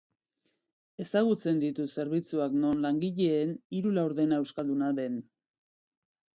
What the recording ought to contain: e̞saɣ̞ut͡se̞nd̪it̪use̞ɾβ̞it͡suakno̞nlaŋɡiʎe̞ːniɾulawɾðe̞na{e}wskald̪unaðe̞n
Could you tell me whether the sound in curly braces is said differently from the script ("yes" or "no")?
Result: no